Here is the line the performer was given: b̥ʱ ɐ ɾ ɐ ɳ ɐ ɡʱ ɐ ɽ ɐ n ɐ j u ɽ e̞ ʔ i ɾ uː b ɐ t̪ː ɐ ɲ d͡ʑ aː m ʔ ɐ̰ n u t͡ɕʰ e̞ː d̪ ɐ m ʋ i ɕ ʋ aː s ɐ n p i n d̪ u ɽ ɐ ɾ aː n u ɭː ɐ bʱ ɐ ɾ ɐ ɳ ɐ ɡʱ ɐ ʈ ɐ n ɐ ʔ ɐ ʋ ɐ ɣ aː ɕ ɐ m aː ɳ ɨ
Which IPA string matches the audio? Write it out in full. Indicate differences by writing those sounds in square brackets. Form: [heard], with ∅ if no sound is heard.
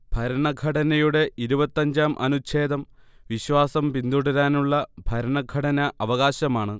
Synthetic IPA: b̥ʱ ɐ ɾ ɐ ɳ ɐ ɡʱ ɐ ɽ ɐ n ɐ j u ɽ e̞ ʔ i ɾ [u] b ɐ t̪ː ɐ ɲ d͡ʑ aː m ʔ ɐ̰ n u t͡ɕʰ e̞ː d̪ ɐ m ʋ i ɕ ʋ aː s ɐ [m] p i n d̪ u ɽ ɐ ɾ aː n u ɭː ɐ bʱ ɐ ɾ ɐ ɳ ɐ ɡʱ ɐ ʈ ɐ n ɐ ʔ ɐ ʋ ɐ ɣ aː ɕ ɐ m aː ɳ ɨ